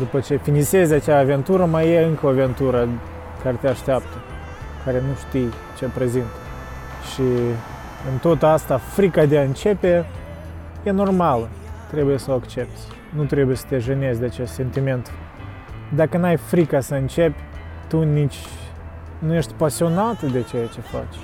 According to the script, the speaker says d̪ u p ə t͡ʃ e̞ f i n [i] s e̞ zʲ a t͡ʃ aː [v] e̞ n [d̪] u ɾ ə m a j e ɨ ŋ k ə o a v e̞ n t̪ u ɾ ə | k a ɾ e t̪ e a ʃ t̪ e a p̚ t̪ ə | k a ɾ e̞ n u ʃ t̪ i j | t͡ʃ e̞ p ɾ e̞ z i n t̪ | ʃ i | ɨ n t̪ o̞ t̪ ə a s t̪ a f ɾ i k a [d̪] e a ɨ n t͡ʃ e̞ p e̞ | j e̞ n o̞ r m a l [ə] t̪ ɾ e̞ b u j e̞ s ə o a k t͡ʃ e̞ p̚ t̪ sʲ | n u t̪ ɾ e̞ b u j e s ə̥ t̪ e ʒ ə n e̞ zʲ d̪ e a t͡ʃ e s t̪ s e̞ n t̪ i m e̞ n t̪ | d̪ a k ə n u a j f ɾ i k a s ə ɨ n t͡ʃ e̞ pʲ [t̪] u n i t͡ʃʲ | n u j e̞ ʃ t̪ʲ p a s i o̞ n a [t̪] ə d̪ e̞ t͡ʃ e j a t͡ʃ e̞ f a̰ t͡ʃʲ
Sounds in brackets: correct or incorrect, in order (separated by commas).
correct, correct, incorrect, correct, correct, correct, correct